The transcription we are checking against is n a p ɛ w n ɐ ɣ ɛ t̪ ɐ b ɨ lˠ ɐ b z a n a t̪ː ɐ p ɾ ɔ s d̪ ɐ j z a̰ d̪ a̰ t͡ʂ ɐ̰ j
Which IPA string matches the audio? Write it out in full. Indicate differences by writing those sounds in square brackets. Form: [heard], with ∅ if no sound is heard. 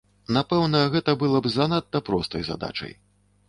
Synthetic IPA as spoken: n a p ɛ w n ɐ ɣ ɛ t̪ ɐ b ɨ lˠ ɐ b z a n a t̪ː ɐ p ɾ ɔ s [t̪] ɐ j z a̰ d̪ a̰ t͡ʂ ɐ̰ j